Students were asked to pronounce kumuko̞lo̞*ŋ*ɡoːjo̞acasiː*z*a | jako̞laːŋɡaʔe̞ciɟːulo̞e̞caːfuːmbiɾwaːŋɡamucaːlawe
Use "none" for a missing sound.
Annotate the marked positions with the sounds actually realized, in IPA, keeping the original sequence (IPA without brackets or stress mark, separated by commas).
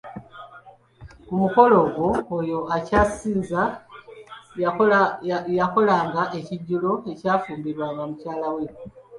none, z